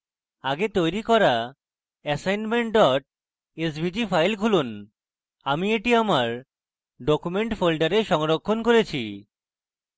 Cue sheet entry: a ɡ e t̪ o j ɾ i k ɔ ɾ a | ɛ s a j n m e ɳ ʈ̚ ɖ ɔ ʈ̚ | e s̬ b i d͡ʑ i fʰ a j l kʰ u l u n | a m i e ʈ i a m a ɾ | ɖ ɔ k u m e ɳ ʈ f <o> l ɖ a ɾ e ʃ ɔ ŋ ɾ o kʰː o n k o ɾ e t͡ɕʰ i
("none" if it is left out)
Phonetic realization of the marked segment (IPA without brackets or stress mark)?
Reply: o